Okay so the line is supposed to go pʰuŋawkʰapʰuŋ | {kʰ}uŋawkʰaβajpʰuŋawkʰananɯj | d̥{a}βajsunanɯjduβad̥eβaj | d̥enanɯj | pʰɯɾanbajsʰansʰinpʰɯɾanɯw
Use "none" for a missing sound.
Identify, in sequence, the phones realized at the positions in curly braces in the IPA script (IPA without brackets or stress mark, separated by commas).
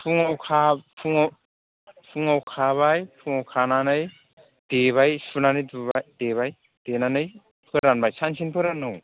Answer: pʰ, e